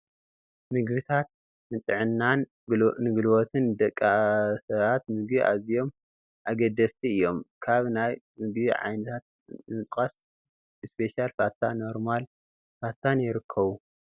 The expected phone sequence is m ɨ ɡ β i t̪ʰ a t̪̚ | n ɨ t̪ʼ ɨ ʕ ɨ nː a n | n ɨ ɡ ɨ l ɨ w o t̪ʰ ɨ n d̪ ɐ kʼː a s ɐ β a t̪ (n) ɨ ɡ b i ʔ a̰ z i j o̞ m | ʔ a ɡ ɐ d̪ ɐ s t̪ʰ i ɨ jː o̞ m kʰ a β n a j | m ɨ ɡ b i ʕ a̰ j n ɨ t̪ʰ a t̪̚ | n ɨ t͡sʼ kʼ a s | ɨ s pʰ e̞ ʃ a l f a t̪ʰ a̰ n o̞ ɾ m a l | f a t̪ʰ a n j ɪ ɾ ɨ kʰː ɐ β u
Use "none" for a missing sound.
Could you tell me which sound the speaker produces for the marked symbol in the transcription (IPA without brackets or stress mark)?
m